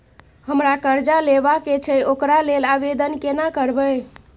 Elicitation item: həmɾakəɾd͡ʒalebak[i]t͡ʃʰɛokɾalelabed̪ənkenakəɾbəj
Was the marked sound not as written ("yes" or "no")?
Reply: yes